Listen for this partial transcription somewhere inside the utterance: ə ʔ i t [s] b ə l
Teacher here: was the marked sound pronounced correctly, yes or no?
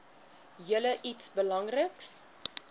yes